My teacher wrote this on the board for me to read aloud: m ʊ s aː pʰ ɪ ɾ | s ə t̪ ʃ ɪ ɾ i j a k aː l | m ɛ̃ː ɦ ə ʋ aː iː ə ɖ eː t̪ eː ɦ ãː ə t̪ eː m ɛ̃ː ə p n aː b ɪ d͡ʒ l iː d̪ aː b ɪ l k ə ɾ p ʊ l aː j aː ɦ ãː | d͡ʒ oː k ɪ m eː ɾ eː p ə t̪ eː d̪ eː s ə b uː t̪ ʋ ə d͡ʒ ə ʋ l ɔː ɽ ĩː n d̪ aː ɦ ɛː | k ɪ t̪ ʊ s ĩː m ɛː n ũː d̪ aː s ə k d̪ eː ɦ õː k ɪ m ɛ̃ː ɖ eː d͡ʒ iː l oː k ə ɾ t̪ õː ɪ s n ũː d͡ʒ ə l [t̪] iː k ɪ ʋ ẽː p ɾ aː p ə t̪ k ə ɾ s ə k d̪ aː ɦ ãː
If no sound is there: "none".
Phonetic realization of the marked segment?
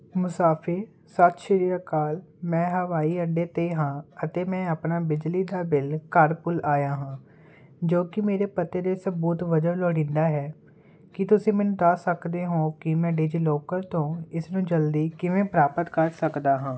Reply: d̪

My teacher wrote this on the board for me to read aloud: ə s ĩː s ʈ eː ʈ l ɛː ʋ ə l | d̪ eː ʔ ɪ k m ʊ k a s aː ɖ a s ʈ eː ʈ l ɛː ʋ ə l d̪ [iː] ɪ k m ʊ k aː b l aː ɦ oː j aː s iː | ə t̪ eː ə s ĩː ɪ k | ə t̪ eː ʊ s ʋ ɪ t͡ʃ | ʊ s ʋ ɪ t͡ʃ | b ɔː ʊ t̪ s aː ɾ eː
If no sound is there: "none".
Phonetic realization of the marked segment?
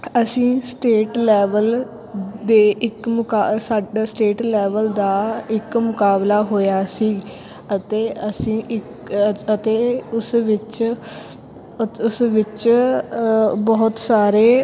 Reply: aː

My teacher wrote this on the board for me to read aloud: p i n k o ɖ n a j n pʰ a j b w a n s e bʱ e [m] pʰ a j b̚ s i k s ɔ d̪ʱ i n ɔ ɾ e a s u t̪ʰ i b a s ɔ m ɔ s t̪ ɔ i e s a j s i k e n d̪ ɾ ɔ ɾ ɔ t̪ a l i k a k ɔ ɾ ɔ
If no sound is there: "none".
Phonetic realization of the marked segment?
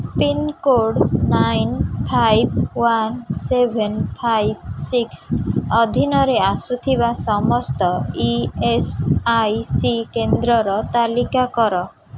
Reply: n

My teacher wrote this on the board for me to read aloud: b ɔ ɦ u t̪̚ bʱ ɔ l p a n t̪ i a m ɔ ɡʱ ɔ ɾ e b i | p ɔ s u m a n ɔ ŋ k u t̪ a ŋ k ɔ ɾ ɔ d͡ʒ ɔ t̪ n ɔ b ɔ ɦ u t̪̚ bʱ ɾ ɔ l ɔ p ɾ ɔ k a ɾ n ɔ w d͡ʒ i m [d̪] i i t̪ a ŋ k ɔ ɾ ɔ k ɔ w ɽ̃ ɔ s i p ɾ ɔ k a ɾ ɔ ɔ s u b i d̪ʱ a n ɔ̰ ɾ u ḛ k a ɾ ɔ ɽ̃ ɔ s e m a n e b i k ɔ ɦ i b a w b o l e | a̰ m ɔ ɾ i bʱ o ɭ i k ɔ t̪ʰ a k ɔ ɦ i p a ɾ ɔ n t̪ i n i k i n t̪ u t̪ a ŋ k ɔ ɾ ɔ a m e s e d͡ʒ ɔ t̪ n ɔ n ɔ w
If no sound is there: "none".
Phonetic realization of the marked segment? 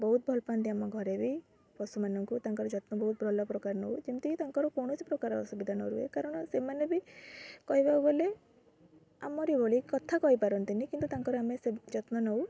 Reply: t̪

